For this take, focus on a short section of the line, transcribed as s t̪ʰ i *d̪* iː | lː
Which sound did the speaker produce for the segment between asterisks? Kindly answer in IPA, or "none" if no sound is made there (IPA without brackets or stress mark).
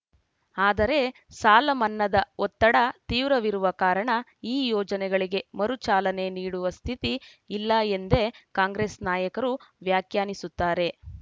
t̪